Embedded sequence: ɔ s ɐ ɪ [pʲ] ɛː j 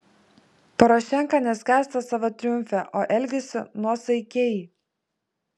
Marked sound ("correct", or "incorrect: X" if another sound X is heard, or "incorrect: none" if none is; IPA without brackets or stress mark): incorrect: kʲ